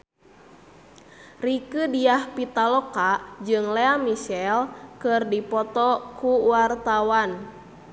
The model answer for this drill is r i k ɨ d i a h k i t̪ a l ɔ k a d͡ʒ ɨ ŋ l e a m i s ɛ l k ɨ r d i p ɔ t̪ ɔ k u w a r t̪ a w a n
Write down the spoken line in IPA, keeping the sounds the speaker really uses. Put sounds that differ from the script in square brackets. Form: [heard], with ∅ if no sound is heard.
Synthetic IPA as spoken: r i k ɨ d i a h [p] i t̪ a l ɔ k a d͡ʒ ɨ ŋ l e a m i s ɛ l k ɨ r d i p ɔ t̪ ɔ k u w a r t̪ a w a n